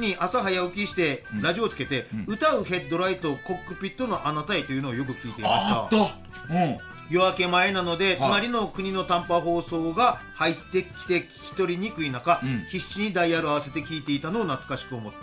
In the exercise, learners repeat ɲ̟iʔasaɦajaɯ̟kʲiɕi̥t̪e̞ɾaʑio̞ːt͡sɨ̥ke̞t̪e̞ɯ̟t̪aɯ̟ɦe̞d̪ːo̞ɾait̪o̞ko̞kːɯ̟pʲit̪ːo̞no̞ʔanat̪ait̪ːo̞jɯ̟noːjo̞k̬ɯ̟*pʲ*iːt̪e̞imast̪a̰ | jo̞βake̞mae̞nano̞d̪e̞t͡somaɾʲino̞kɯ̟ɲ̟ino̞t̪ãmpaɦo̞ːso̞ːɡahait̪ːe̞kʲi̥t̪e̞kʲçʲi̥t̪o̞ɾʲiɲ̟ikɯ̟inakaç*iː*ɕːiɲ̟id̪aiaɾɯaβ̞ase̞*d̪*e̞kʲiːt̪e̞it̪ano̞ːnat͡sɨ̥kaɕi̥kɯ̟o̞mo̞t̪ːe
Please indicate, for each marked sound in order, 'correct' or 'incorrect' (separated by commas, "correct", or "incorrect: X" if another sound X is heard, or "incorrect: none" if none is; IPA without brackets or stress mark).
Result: incorrect: kʲ, incorrect: i, incorrect: t̪